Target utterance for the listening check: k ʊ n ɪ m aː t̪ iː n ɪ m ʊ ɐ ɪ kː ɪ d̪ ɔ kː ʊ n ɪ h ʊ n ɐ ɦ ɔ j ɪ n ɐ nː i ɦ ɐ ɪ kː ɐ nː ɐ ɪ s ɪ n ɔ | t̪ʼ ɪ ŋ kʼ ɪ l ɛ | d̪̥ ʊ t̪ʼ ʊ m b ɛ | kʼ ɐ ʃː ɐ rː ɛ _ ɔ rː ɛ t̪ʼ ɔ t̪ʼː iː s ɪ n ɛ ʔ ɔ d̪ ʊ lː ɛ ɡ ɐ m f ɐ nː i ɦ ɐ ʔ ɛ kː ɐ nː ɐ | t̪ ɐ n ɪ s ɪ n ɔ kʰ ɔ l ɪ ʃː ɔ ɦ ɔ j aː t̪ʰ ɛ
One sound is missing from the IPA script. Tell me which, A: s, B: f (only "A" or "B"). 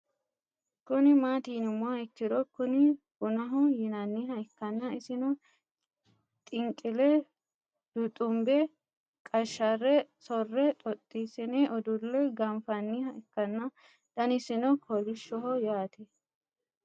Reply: A